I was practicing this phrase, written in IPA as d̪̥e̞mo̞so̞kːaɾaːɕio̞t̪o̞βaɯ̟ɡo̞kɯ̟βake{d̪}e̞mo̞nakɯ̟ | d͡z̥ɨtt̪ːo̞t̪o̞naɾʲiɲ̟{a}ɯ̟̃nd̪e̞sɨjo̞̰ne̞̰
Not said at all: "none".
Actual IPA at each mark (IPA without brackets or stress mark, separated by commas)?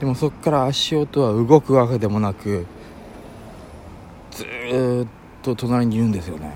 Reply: d̪, i